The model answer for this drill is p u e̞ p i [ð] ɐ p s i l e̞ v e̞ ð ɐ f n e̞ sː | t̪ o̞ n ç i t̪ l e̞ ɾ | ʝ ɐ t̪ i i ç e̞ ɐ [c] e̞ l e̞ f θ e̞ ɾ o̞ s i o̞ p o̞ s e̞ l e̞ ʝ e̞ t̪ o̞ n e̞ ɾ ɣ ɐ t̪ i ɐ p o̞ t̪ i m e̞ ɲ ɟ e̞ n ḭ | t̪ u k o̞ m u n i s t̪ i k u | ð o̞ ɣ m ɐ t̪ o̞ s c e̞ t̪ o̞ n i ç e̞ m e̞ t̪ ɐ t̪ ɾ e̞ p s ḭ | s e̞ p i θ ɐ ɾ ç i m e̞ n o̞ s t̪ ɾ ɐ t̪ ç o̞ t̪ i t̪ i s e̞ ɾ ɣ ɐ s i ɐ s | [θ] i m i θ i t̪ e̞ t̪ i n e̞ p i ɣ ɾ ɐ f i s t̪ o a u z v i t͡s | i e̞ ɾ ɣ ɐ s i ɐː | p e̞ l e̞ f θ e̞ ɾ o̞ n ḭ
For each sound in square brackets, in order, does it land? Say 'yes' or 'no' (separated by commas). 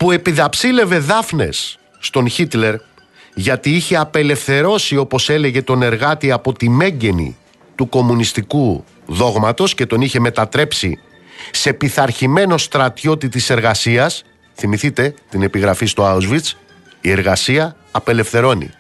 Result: yes, no, yes